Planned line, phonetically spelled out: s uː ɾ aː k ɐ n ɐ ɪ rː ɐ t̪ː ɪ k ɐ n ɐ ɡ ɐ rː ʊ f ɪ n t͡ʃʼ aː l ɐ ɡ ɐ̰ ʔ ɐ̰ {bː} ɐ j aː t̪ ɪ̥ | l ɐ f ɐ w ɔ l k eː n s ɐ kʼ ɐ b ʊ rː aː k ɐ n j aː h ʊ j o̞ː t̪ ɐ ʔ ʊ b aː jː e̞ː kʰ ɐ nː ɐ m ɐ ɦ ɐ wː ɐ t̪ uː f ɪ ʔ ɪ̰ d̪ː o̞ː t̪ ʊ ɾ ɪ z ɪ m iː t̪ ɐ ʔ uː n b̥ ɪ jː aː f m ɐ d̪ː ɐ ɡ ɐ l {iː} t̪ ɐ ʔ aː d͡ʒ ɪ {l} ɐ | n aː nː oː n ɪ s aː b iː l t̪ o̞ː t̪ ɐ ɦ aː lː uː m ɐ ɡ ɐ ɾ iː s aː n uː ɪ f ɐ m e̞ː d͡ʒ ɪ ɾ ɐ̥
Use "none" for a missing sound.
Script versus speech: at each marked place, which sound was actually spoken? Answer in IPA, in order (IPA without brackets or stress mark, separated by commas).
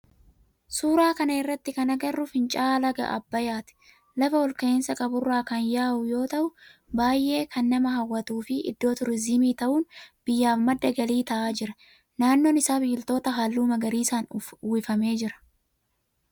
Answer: bː, iː, ɾ